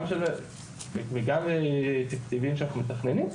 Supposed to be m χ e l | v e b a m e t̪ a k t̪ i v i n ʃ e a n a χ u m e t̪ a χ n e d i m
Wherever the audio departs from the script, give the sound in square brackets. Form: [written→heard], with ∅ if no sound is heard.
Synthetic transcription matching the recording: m [χ→ʃ] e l | v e [b→ɡ] a m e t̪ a k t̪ i v i [n→m] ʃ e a n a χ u m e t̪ a χ n e [d→n] i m

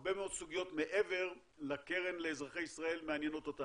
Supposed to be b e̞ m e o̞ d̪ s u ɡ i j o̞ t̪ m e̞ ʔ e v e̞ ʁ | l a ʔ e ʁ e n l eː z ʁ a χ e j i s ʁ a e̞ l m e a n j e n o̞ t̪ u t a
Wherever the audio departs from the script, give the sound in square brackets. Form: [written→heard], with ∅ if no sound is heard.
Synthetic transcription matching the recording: b e̞ m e o̞ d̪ s u ɡ i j o̞ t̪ m e̞ ʔ e v e̞ ʁ | l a [ʔ→k] e ʁ e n l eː z ʁ a χ e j i s ʁ a e̞ l m e a n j e n o̞ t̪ [u→o] t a

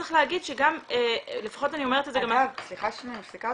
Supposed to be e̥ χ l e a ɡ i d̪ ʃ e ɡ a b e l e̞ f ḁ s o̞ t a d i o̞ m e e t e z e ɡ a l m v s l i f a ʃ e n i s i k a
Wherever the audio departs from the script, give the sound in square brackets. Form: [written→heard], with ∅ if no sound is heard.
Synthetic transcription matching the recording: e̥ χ l e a ɡ i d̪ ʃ e ɡ a [b→m] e l e̞ f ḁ [s→χ] o̞ t a [d→n] i o̞ m e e t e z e ɡ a [l→∅] m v s l i [f→χ] a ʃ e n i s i k a

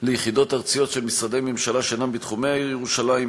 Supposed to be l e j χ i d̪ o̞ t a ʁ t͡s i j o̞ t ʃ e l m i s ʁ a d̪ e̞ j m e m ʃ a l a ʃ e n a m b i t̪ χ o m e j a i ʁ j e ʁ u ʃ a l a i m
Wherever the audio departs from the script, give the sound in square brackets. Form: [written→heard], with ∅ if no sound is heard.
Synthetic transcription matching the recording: l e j χ i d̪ o̞ t a ʁ t͡s i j o̞ t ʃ e l m i s ʁ a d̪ e̞ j m e m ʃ a l a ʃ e n a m b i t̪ χ [o→u] m e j a i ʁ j e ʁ u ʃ a l a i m

